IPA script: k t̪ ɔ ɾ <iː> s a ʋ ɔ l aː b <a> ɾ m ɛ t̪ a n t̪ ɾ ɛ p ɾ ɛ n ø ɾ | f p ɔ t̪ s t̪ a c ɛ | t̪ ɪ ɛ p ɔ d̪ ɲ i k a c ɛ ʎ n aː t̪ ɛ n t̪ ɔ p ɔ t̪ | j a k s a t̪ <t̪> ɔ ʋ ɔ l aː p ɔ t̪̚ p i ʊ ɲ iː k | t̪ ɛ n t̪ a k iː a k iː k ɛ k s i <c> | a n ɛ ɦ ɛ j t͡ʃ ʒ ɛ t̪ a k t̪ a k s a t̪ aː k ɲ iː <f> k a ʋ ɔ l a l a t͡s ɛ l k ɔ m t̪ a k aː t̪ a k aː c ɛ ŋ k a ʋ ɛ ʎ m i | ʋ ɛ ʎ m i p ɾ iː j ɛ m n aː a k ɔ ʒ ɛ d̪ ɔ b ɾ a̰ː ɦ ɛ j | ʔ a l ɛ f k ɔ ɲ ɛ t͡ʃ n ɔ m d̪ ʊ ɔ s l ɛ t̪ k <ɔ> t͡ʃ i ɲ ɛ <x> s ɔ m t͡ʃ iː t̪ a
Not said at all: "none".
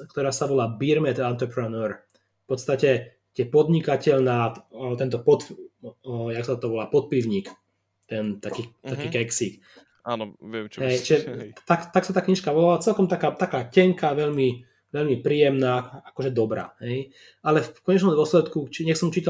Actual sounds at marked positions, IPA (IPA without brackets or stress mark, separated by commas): aː, i, t̪, k, ʃ, u, x